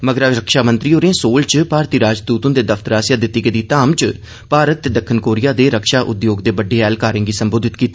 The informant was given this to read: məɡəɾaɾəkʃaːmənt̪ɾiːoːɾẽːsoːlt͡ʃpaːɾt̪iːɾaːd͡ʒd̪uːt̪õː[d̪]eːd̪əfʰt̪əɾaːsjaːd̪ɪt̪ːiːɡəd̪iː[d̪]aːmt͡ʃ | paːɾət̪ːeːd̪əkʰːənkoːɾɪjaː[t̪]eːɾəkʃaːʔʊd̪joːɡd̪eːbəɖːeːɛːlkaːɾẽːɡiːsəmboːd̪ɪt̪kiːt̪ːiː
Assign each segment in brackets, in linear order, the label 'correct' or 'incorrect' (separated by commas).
correct, incorrect, incorrect